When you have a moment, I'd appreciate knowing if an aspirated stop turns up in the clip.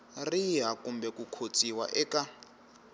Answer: yes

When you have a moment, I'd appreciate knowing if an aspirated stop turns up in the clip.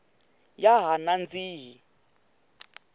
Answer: no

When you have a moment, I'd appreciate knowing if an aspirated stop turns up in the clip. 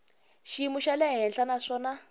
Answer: no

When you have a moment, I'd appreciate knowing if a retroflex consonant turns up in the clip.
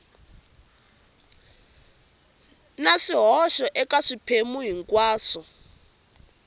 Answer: yes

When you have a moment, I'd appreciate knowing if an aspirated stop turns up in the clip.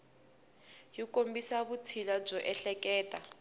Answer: yes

